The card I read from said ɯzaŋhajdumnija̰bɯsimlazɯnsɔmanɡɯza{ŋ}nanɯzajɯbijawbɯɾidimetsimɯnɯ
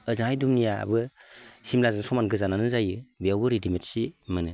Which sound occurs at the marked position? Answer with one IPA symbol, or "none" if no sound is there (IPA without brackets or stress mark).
none